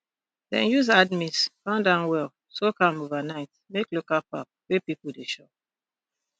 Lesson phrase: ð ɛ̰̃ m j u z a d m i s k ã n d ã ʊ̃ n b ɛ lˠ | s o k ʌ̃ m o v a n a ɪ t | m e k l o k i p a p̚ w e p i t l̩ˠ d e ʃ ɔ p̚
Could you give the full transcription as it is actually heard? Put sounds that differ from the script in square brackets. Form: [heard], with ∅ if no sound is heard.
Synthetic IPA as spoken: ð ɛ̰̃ [n] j u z a d m i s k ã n d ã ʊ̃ n [w] ɛ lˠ | s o k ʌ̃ m o v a n a ɪ t | m e k l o k [a] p a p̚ w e p i [p] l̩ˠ d e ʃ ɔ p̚